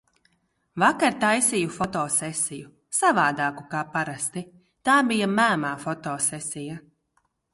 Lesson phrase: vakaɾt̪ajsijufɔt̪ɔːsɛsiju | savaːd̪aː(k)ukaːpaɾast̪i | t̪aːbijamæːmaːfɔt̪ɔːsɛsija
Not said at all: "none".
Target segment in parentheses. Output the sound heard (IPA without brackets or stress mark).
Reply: k